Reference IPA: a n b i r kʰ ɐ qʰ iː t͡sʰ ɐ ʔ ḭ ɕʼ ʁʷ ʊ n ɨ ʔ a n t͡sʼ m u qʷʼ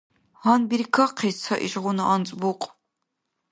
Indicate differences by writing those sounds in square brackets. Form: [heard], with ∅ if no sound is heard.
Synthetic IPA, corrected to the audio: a n b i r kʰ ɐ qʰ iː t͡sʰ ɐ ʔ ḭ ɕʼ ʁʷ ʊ n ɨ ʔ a n t͡sʼ [b] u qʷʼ